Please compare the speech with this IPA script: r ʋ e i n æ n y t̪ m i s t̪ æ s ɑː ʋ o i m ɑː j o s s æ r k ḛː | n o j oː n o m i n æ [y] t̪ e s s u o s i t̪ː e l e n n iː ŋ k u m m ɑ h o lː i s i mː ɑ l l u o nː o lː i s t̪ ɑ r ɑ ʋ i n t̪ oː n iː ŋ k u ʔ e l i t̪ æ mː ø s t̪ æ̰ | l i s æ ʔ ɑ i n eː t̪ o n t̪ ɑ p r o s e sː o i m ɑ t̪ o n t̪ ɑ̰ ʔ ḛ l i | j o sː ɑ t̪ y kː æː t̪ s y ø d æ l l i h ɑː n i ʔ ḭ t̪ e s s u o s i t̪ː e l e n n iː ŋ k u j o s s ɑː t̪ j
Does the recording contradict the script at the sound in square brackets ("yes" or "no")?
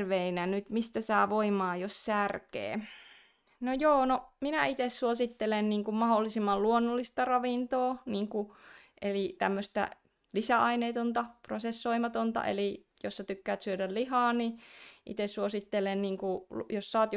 yes